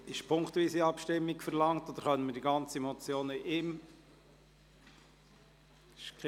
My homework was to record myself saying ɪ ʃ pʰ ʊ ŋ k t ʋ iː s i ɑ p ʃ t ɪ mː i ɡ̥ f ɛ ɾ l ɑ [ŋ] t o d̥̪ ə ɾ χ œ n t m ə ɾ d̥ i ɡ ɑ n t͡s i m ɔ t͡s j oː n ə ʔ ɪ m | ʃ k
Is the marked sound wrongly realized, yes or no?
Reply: no